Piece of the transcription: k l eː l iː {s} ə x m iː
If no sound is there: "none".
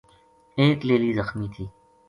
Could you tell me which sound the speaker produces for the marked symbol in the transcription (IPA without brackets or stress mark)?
z